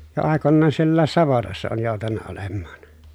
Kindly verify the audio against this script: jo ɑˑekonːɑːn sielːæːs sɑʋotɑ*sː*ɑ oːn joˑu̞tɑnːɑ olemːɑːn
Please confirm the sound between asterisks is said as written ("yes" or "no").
yes